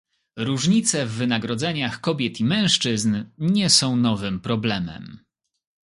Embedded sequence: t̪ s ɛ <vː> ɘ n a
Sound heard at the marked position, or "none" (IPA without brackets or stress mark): vː